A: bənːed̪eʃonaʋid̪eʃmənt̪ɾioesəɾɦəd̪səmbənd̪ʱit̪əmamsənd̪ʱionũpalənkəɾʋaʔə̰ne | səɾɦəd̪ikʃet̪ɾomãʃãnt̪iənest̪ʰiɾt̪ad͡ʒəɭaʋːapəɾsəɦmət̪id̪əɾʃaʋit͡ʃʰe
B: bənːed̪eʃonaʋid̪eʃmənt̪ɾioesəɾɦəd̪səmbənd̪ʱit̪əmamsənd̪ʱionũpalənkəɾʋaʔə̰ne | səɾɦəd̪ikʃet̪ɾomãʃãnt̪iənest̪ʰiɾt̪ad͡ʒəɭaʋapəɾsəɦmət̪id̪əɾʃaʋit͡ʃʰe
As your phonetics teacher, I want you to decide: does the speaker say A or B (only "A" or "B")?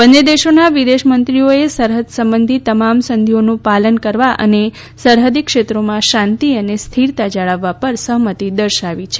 A